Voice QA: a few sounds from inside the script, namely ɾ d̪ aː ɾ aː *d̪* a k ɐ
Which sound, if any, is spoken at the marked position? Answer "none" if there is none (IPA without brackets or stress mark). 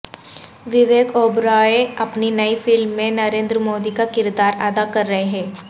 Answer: d̪